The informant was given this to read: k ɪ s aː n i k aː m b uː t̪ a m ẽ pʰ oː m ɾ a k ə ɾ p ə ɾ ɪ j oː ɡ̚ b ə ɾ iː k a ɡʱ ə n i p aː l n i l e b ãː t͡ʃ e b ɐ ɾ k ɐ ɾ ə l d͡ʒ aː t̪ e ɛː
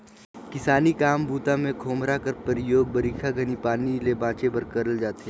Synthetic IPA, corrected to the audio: k ɪ s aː n i k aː m b uː t̪ a m ẽ kʰ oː m ɾ a k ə ɾ p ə ɾ ɪ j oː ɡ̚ b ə ɾ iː kʰ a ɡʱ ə n i p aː n i l e b ãː t͡ʃ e b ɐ ɾ k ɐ ɾ ə l d͡ʒ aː t̪ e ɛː